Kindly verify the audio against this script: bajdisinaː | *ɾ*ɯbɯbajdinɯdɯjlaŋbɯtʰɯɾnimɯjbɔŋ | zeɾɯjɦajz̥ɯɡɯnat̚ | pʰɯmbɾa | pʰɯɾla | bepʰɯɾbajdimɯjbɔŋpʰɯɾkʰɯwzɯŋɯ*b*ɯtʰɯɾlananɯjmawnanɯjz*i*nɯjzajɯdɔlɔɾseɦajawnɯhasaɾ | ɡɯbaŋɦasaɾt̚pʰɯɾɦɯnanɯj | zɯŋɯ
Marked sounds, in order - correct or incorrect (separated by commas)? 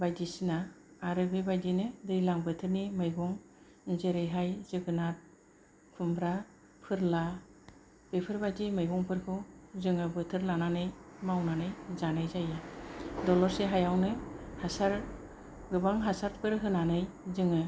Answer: correct, correct, incorrect